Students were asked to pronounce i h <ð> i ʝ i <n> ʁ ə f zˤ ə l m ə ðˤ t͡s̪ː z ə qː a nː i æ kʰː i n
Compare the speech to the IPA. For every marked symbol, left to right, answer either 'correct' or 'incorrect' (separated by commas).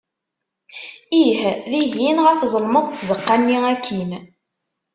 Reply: correct, correct